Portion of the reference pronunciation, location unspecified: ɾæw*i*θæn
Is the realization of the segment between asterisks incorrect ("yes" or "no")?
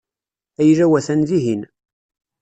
yes